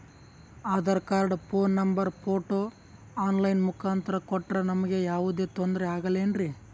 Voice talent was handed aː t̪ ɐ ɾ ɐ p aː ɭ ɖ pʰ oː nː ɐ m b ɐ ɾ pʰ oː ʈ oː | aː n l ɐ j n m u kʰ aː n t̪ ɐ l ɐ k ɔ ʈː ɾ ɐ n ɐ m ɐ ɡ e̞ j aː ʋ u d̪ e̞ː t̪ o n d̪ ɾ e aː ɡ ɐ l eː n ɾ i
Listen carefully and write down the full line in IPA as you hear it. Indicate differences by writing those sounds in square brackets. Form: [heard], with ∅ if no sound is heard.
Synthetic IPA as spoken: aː [d̪] ɐ ɾ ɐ [k] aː [ɾ] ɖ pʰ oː nː ɐ m b ɐ ɾ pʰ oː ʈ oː | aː n l ɐ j n m u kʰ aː n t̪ ɐ [ɾ] ɐ k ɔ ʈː ɾ ɐ n ɐ m ɐ ɡ e̞ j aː ʋ u d̪ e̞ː t̪ o n d̪ ɾ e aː ɡ ɐ l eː n ɾ i